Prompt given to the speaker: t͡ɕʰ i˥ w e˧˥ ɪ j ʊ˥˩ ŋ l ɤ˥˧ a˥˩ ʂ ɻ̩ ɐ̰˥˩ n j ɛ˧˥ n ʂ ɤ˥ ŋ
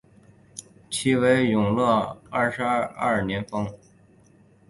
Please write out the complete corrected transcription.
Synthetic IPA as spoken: t͡ɕʰ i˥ w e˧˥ ɪ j ʊ˨˩ ŋ l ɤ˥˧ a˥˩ ʂ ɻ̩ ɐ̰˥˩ n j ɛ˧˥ n f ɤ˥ ŋ